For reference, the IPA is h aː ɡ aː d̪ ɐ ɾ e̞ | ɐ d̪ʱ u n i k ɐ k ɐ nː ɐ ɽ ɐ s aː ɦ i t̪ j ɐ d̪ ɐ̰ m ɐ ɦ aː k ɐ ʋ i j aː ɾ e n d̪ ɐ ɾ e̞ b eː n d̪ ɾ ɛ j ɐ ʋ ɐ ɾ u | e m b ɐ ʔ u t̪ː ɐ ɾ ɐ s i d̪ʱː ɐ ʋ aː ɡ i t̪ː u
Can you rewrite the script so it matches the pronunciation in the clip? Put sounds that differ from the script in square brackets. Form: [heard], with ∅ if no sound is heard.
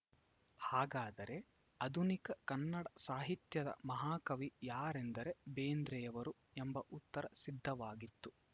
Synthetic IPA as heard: h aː ɡ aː d̪ ɐ ɾ e̞ | ɐ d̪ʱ u n i k ɐ k ɐ nː ɐ ɽ ɐ s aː ɦ i t̪ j ɐ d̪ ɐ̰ m ɐ ɦ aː k ɐ ʋ i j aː ɾ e n d̪ ɐ ɾ e̞ b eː n d̪ ɾ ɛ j ɐ ʋ ɐ ɾ u | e m b ɐ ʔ u t̪ː ɐ ɾ ɐ s i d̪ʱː ɐ ʋ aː ɡ i t̪ː u